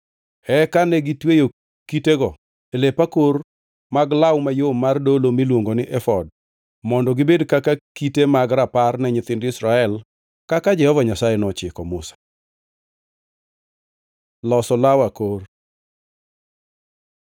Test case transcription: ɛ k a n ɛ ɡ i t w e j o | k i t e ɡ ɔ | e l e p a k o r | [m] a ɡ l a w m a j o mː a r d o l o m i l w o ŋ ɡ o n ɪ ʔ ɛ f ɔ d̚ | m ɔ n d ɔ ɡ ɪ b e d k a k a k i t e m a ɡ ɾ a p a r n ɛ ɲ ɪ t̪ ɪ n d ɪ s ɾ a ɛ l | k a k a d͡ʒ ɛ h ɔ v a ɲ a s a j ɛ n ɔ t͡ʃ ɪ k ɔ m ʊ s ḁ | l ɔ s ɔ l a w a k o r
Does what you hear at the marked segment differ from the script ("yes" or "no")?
no